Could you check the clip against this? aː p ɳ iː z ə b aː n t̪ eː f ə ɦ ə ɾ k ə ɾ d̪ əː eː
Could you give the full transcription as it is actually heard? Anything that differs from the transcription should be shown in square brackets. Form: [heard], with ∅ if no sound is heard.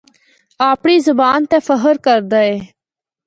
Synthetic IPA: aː p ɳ iː z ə b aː n t̪ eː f ə ɦ ə ɾ k ə ɾ d̪ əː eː